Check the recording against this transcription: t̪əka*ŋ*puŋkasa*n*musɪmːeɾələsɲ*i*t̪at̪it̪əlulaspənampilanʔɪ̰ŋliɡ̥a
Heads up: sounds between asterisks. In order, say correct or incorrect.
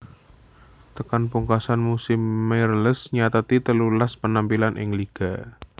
incorrect, correct, incorrect

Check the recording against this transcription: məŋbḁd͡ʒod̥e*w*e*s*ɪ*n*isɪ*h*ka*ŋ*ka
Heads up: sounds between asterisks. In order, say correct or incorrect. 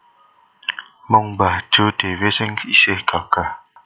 correct, correct, incorrect, correct, incorrect

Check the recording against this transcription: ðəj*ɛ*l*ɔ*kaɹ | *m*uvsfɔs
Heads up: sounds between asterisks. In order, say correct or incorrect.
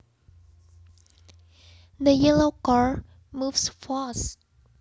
correct, incorrect, correct

